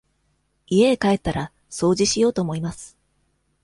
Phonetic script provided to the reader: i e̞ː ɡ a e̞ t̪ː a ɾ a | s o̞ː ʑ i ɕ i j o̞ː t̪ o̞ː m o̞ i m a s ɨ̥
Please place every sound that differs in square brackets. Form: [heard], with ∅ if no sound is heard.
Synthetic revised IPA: i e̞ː [k] a e̞ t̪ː a ɾ a | s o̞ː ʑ i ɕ i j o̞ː t̪ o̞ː m o̞ i m a s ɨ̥